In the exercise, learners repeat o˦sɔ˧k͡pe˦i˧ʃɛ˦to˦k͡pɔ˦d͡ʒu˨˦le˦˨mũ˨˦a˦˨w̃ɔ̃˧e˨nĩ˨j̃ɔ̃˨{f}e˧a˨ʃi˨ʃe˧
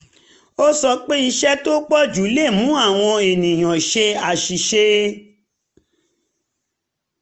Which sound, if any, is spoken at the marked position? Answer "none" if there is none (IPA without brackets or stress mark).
ʃ